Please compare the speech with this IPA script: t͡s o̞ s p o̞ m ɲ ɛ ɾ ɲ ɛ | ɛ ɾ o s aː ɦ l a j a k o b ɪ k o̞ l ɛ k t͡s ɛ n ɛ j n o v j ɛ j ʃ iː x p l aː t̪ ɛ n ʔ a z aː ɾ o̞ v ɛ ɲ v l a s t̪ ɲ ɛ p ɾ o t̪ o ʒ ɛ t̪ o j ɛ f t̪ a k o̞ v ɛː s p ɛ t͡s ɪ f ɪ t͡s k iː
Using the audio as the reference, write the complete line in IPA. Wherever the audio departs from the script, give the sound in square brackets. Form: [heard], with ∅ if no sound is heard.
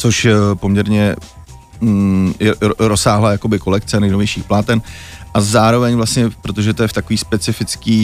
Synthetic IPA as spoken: t͡s o̞ [ʃ] p o̞ m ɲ ɛ ɾ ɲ ɛ | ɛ ɾ o s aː ɦ l a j a k o b ɪ k o̞ l ɛ k t͡s ɛ n ɛ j n o v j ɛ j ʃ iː x p l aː t̪ ɛ n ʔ a z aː ɾ o̞ v ɛ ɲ v l a s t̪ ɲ ɛ p ɾ o t̪ o ʒ ɛ t̪ o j ɛ f t̪ a k o̞ v [iː] s p ɛ t͡s ɪ f ɪ t͡s k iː